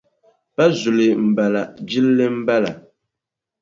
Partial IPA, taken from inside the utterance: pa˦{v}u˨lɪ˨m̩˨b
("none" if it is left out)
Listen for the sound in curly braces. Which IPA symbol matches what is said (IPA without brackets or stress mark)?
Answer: z